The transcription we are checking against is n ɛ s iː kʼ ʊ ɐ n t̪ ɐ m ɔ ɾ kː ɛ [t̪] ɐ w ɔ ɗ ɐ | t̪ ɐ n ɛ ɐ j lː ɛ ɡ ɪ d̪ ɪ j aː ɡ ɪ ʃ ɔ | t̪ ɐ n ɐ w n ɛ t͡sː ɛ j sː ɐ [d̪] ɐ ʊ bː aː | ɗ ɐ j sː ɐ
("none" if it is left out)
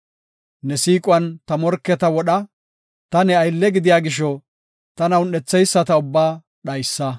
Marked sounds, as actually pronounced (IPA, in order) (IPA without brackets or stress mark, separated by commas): t̪, t̪